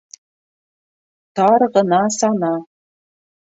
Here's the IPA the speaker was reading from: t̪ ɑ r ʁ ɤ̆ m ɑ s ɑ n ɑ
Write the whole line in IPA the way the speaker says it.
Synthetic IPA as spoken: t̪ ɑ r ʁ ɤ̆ n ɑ s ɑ n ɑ